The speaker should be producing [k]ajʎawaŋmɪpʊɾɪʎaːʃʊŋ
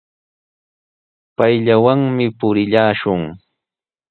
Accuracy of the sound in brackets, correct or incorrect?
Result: incorrect